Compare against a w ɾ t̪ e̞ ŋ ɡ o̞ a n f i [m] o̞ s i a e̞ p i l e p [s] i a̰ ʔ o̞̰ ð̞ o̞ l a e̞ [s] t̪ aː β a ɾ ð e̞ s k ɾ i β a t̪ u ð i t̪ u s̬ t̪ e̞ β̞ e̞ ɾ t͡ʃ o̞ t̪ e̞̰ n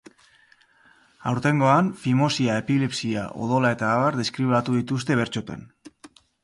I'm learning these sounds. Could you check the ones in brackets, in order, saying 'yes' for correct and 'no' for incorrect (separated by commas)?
yes, yes, no